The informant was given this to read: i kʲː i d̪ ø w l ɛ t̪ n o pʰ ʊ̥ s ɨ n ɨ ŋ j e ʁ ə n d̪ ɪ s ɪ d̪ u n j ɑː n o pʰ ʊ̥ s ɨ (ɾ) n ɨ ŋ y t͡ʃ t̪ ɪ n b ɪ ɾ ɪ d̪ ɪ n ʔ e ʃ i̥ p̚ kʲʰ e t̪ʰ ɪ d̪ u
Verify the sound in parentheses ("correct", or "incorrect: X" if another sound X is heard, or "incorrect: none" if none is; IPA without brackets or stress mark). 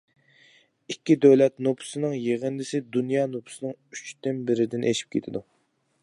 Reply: incorrect: none